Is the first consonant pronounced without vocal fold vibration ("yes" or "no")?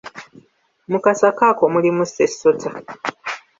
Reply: no